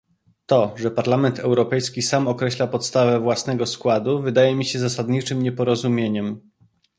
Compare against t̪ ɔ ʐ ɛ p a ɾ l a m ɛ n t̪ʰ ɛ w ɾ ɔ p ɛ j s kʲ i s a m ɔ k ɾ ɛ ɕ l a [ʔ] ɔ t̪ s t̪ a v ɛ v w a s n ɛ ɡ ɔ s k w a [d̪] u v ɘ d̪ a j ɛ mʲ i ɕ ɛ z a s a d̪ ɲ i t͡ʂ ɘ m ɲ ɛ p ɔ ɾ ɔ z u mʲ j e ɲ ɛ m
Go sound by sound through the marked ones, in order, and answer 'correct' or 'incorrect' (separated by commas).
incorrect, correct